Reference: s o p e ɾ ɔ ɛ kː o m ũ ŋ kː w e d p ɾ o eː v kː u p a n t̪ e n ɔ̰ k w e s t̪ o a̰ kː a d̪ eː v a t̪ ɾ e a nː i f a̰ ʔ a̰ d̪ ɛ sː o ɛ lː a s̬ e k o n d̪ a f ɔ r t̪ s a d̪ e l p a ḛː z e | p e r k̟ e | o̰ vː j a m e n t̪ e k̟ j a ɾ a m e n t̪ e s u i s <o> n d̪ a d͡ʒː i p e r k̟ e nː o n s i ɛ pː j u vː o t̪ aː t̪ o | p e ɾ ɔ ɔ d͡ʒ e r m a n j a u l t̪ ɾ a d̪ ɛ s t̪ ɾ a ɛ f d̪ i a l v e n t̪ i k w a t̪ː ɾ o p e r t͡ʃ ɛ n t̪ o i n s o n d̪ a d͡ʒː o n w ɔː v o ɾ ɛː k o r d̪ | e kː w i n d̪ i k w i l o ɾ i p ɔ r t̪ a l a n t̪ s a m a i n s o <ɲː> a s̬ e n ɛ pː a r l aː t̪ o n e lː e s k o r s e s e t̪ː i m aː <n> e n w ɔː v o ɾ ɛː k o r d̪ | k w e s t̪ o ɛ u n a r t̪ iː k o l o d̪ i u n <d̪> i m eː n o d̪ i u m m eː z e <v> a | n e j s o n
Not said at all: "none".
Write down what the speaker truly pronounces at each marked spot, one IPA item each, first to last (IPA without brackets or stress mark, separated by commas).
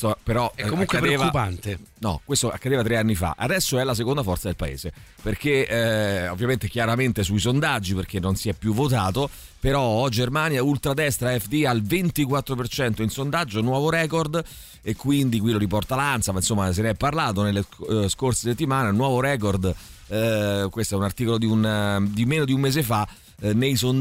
o, mː, n, d̪, f